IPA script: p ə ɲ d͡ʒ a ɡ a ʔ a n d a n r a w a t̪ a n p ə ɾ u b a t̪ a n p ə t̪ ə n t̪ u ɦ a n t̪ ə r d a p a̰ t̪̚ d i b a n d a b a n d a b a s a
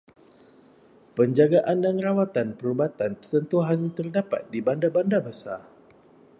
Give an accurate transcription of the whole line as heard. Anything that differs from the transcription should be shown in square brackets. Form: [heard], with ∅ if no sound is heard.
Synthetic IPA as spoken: p ə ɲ d͡ʒ a ɡ a ʔ a n d a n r a w a t̪ a n p ə ɾ u b a t̪ a n p ə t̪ ə n t̪ u ɦ a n t̪ ə r d a p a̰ t̪̚ d i b a n d a b a n d a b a s a